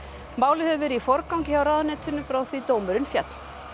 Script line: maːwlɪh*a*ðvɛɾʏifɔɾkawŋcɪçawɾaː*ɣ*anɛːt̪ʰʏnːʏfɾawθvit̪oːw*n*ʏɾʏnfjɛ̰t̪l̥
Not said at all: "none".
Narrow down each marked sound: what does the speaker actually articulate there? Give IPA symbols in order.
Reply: ɛ, ð, m

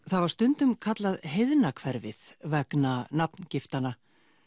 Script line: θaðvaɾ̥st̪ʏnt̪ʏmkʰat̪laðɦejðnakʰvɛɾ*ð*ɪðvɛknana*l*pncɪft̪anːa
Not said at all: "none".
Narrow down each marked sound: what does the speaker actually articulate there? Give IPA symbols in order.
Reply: v, none

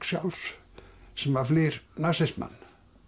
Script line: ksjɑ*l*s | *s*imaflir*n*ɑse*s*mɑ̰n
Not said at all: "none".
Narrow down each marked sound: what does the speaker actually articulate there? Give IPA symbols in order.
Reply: l, s, n, s

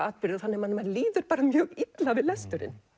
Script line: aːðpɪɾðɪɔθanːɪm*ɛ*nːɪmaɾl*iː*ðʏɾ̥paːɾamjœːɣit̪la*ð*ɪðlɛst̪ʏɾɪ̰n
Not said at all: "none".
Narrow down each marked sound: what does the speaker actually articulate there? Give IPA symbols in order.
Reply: a, iː, v

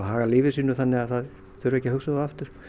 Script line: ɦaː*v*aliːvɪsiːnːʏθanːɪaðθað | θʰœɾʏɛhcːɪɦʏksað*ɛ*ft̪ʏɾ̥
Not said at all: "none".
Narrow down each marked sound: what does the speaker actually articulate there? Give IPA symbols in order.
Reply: ɣ, a

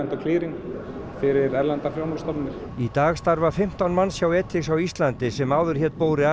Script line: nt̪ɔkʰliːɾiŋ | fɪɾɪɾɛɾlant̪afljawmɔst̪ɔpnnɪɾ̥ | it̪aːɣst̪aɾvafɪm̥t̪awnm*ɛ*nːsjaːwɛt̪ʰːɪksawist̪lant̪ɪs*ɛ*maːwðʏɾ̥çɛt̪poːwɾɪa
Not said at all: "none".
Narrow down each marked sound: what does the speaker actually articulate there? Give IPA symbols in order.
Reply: a, ɛ

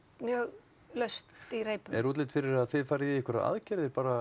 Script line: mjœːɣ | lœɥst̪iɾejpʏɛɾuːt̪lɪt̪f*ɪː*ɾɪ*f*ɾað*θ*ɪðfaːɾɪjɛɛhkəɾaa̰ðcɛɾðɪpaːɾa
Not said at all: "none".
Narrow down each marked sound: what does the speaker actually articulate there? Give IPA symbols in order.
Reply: ɪ, none, θ

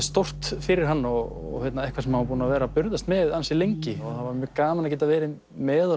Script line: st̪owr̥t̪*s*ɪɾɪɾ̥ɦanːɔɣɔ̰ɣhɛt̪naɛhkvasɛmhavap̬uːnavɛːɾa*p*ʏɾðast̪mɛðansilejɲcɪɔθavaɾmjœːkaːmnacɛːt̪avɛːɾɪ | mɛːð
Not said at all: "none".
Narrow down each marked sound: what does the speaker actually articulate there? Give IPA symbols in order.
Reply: f, p

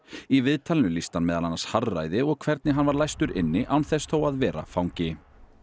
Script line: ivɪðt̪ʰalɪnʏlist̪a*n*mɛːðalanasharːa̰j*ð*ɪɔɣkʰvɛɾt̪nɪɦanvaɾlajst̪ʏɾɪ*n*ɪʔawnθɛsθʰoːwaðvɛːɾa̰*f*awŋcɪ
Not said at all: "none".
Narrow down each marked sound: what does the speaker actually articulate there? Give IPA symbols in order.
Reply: n, ð, nː, f

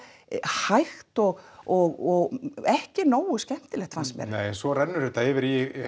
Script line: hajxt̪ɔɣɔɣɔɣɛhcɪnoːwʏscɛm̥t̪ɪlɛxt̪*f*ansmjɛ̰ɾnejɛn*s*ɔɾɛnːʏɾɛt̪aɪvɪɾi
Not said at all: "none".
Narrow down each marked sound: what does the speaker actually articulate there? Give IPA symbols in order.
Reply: f, s

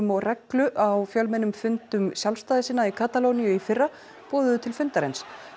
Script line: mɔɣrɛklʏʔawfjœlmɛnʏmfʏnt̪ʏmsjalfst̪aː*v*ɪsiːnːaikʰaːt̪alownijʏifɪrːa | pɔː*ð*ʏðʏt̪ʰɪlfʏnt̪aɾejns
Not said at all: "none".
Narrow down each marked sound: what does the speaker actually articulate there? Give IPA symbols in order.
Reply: ð, ð

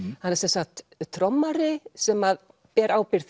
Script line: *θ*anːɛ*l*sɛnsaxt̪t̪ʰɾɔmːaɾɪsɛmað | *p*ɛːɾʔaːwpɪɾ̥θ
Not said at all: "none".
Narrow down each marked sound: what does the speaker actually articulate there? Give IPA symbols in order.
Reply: h, ɾ, p

